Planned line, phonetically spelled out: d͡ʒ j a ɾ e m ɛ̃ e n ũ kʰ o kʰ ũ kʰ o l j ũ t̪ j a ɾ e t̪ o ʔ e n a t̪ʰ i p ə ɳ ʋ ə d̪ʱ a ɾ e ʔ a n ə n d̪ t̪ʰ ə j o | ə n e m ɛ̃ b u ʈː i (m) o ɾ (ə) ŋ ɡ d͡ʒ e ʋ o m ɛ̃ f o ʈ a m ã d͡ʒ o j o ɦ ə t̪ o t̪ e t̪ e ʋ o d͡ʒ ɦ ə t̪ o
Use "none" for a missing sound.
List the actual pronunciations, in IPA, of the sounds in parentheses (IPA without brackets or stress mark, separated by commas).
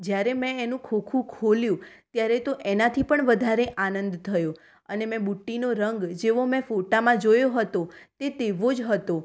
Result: n, ə